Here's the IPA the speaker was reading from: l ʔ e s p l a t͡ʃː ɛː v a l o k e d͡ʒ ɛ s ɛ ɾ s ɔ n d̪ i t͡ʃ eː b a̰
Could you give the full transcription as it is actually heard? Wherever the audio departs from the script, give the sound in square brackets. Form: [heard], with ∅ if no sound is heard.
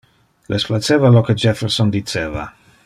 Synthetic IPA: l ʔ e s p l a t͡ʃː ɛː v a l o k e d͡ʒ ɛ [f] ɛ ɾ s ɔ n d̪ i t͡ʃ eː [v] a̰